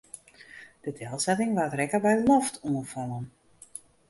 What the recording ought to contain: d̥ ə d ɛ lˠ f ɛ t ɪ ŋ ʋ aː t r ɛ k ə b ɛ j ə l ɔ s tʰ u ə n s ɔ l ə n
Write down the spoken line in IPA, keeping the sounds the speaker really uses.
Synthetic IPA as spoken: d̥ ə d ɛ lˠ s ɛ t ɪ ŋ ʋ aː t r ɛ k ə b ɛ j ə l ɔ f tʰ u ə n f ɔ l ə n